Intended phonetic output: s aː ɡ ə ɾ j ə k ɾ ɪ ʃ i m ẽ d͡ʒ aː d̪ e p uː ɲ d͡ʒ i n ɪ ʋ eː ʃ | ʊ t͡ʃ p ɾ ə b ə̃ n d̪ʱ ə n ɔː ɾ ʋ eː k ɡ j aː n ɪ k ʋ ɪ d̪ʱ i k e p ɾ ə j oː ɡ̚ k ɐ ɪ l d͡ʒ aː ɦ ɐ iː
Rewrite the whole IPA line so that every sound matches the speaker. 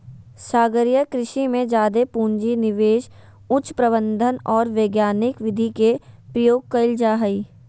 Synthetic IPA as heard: s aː ɡ ə ɾ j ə k ɾ ɪ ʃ i m ẽ d͡ʒ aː d̪ e p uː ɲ d͡ʒ i n ɪ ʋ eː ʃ | ʊ t͡ʃ p ɾ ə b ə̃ n d̪ʱ ə n ɔː ɾ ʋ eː ɡ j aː n ɪ k ʋ ɪ d̪ʱ i k e p ɾ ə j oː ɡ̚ k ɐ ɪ l d͡ʒ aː ɦ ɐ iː